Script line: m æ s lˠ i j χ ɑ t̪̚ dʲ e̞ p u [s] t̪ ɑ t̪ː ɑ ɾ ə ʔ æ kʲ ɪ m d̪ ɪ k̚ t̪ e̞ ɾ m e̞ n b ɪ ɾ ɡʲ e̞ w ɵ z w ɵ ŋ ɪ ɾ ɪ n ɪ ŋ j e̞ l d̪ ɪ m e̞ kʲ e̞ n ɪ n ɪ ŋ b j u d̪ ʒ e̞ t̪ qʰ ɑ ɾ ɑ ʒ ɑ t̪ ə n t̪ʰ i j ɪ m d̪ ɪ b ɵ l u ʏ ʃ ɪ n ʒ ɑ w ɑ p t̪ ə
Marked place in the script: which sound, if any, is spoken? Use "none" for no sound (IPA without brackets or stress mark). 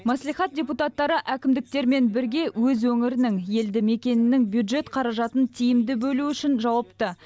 none